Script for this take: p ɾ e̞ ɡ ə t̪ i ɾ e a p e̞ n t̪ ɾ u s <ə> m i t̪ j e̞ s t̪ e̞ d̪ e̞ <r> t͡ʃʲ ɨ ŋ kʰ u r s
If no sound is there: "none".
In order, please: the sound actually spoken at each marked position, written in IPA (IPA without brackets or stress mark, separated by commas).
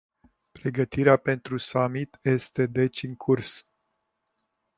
a, none